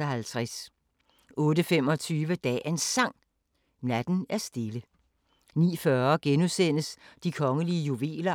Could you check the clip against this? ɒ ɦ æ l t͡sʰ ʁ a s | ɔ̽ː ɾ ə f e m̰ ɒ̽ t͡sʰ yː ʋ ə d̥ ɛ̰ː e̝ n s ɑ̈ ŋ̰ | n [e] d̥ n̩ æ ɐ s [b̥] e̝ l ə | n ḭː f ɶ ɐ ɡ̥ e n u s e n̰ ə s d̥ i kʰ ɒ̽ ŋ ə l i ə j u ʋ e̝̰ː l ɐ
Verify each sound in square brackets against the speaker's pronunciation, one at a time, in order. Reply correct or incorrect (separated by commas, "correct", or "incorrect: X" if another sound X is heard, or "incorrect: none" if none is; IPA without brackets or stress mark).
incorrect: æ, incorrect: d̥